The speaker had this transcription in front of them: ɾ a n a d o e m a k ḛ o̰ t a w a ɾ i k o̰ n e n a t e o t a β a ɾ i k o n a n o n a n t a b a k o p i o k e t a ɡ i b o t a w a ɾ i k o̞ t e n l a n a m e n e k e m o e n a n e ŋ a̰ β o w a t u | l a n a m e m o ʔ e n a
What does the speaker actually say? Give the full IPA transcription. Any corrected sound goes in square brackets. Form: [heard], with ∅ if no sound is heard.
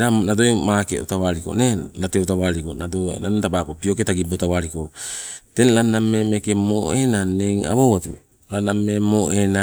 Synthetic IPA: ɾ a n a d o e m a k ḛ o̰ t a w a ɾ i k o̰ n e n a t e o t a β a ɾ i k o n a [d] o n a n t a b a k o p i o k e t a ɡ i b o t a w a ɾ i k o̞ t e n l a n a m e [m] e k e m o e n a n e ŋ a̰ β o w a t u | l a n a m e m o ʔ e n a